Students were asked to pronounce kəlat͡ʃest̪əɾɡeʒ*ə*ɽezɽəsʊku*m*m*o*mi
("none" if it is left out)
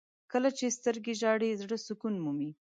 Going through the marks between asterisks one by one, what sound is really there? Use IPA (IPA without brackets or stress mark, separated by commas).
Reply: ɑ, n, u